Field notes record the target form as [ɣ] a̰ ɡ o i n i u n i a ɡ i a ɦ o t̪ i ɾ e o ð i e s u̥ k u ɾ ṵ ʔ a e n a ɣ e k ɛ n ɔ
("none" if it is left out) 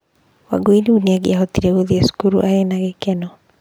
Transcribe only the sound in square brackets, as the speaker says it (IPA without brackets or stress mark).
w